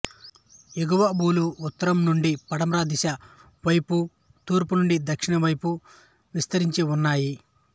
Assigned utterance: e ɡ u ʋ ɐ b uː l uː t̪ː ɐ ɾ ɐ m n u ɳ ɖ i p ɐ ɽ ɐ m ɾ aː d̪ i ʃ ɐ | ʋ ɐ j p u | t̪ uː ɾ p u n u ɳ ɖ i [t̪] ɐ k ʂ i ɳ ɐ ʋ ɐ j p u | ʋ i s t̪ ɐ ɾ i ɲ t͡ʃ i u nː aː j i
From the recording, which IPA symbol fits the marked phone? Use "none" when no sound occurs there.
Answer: d̪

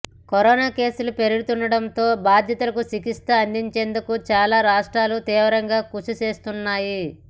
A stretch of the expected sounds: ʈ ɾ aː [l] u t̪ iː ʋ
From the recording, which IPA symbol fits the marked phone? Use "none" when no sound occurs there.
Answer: l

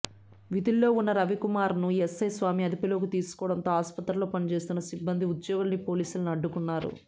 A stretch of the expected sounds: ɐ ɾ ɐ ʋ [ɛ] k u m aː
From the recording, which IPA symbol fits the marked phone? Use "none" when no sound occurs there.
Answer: i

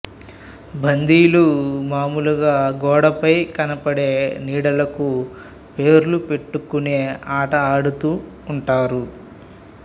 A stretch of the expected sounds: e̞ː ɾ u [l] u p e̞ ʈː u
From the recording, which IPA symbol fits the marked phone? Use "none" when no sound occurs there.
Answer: l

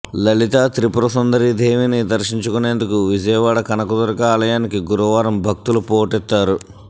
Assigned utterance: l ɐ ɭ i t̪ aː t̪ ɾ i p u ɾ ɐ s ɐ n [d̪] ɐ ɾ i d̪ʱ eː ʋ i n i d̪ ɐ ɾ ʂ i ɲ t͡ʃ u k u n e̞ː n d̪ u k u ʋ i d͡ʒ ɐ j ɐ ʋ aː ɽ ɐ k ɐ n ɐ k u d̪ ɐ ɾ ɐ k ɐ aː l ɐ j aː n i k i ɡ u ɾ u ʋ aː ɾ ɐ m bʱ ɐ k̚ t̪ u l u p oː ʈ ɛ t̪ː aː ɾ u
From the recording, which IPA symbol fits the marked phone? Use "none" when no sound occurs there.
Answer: d̪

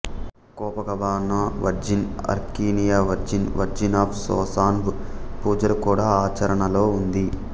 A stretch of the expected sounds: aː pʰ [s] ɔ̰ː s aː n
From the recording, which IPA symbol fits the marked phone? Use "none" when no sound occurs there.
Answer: s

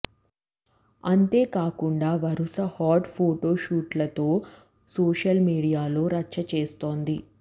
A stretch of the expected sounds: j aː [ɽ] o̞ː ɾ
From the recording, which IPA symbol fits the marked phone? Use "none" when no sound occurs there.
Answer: l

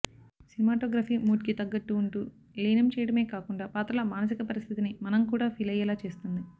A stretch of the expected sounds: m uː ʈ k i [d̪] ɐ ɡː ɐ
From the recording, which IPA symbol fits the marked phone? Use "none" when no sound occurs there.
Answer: t̪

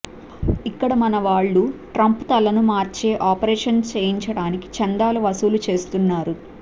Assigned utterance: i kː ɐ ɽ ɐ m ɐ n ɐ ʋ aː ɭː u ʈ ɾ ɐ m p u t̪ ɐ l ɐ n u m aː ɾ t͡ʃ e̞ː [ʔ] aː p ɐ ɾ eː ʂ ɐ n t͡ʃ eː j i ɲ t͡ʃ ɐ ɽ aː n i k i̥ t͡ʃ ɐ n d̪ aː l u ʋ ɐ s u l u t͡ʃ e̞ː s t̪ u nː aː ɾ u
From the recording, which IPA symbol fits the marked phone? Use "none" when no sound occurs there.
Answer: ʔ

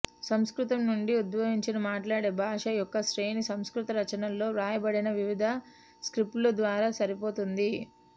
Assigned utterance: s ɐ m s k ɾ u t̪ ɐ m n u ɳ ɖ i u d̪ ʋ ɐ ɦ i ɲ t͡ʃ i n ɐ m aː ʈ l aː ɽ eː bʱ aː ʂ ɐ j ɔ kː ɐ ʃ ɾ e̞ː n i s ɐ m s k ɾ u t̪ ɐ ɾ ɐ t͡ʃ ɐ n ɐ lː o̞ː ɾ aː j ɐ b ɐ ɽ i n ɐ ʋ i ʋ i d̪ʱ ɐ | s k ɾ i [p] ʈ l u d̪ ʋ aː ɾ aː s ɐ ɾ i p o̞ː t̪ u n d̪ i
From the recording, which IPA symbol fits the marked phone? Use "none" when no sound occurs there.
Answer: p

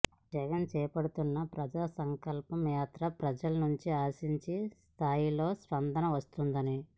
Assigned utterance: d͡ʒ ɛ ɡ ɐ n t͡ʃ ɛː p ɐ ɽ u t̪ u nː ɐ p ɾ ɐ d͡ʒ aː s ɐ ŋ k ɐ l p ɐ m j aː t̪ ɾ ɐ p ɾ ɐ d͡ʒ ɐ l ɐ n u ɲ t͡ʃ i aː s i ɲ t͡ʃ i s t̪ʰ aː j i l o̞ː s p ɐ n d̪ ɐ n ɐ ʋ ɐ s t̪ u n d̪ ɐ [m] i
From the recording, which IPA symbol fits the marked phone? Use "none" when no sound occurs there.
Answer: n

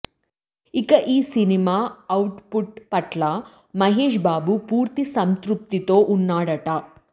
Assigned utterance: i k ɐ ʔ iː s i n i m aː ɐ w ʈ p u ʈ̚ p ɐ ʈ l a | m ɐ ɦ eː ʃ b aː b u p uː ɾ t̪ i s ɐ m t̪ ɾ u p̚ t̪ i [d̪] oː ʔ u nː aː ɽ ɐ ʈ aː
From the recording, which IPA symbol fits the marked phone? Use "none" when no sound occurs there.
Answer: t̪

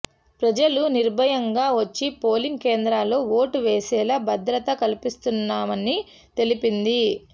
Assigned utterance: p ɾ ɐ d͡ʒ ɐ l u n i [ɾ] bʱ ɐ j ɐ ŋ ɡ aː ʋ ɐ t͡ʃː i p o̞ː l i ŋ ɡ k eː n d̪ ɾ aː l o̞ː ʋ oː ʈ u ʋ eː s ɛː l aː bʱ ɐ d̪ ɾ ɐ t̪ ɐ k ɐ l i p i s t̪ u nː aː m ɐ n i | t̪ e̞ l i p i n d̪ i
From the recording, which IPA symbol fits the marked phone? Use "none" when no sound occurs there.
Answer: ɾ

